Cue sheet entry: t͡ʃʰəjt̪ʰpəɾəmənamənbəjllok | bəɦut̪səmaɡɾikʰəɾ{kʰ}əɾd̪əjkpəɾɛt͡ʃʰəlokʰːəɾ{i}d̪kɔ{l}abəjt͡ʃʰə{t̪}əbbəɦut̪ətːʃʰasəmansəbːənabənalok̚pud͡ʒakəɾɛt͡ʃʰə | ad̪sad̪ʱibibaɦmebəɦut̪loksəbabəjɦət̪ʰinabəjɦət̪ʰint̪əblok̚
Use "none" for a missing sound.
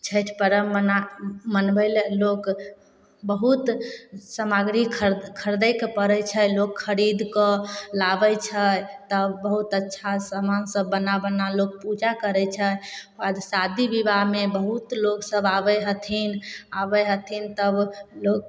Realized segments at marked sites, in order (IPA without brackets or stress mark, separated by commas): kʰ, i, l, t̪